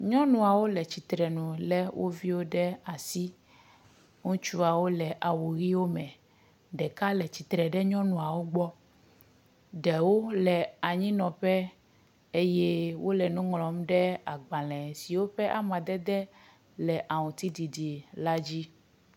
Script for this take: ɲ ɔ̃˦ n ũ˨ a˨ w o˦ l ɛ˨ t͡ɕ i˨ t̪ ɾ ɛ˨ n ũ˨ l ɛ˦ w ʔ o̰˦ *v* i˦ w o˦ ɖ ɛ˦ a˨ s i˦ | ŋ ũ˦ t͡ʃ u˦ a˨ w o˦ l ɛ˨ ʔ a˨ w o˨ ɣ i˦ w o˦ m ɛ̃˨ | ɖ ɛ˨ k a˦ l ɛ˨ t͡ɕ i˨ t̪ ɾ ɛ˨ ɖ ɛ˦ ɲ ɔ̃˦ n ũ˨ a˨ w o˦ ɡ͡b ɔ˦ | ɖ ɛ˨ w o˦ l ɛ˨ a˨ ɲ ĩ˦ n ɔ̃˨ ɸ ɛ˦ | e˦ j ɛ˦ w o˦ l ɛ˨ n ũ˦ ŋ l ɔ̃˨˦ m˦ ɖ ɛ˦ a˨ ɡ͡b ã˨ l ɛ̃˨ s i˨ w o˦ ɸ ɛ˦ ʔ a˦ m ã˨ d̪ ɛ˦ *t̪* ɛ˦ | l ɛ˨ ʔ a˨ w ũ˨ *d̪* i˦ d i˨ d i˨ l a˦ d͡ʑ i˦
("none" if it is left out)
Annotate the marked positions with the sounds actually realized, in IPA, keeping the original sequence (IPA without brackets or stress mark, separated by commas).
v, d̪, t̪